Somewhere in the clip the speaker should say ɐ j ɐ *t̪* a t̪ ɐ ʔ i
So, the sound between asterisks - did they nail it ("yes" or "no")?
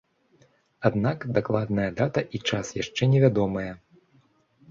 no